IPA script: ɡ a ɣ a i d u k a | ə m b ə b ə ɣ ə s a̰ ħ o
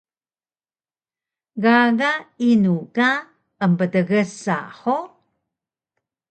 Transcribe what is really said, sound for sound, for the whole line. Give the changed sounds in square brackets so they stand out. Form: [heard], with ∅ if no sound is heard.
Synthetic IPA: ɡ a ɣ a i [n] u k a | ə m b ə [d] ə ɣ ə s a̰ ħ o